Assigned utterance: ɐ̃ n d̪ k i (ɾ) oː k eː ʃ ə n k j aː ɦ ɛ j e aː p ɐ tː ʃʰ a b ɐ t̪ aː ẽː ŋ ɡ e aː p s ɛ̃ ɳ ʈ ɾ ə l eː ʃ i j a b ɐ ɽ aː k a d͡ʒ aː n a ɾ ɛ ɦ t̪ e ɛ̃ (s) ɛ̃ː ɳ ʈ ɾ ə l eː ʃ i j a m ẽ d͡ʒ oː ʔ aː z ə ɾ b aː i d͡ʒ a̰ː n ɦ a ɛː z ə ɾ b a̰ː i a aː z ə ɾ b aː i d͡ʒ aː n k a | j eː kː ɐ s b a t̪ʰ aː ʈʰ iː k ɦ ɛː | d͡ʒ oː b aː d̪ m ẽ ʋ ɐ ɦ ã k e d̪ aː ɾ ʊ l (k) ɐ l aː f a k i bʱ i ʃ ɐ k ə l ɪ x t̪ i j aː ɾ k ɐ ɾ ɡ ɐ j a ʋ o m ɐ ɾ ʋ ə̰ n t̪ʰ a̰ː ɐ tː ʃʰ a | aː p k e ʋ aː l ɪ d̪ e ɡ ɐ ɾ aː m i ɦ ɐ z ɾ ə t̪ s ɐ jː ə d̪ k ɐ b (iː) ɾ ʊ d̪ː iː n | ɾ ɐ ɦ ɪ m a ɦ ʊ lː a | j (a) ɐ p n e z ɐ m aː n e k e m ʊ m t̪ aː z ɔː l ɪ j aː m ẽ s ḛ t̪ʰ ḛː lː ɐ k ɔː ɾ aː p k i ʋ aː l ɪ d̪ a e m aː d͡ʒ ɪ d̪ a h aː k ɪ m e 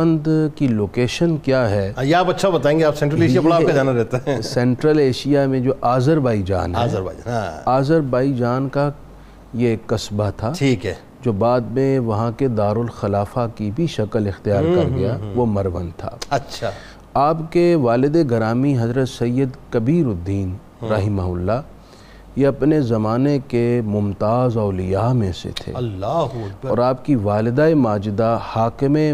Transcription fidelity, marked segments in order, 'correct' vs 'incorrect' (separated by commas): incorrect, correct, incorrect, correct, incorrect